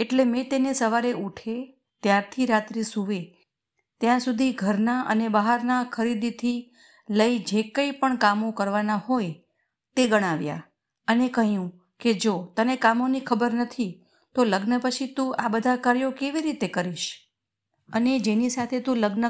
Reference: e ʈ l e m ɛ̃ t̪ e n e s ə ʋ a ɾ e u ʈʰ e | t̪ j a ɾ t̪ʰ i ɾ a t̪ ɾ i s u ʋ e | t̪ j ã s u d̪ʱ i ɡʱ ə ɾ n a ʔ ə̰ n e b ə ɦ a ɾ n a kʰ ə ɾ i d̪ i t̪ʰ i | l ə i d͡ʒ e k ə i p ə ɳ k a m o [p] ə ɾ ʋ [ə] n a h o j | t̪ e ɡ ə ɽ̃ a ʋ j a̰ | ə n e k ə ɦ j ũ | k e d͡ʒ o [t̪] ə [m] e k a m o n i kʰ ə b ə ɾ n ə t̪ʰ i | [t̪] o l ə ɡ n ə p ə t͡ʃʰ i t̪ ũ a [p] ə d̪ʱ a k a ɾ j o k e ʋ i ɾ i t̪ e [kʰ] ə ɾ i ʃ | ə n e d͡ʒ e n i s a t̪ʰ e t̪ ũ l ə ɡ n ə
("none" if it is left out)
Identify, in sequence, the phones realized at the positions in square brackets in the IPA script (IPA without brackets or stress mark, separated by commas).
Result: k, a, t̪, n, t̪, b, k